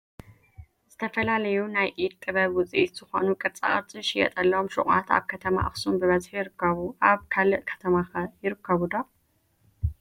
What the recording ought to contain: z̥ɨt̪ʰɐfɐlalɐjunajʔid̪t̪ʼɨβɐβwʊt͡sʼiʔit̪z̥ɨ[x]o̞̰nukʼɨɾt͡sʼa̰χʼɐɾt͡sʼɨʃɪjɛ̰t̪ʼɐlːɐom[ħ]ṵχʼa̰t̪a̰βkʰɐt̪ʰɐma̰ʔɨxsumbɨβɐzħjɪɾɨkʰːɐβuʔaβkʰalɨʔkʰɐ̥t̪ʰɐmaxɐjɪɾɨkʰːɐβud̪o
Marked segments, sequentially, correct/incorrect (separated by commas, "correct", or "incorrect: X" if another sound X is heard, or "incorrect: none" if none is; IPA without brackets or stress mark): correct, incorrect: ʃ